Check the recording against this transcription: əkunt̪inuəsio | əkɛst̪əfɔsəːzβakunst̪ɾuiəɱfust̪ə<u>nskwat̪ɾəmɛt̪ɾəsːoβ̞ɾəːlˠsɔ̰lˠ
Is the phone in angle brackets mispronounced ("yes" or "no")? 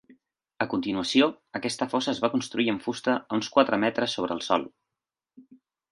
no